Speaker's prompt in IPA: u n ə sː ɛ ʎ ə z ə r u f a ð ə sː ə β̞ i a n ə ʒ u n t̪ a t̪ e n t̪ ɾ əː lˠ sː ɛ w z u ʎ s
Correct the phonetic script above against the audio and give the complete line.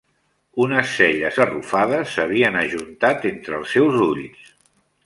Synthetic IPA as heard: u n ə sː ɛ ʎ ə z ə r u f a ð ə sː ə β̞ i ə n ə ʒ u n t̪ a t̪ e n t̪ ɾ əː lˠ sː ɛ w z u ʎ s